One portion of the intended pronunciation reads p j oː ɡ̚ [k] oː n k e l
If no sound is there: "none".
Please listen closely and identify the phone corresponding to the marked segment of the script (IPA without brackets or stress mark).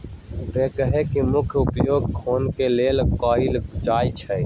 kʰ